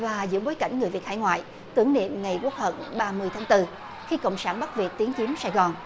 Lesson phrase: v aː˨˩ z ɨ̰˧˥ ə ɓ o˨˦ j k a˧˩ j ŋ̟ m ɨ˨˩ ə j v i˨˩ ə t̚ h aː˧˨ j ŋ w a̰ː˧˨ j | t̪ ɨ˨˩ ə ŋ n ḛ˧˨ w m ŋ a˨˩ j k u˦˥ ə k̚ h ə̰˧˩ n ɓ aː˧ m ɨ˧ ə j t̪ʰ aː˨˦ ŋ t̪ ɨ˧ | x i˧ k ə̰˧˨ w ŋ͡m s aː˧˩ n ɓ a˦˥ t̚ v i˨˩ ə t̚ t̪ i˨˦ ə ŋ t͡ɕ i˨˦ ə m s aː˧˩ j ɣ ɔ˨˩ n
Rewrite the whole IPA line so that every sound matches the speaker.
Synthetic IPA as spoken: v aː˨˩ z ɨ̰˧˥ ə ɓ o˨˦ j k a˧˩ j ŋ̟ ŋ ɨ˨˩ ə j v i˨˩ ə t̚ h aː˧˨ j ŋ w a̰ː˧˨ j | t̪ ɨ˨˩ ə ŋ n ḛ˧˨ m ŋ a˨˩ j k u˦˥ ə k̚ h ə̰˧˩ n ɓ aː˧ m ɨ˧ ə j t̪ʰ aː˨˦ ŋ t̪ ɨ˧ | x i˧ k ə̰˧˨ w ŋ͡m s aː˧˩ n ɓ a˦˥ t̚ v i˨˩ ə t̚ t̪ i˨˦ ə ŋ t͡ɕ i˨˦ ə m s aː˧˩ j ɣ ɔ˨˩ n